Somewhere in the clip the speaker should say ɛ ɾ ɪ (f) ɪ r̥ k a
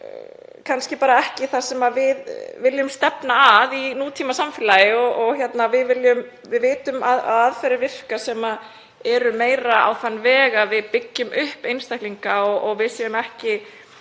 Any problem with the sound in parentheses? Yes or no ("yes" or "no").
yes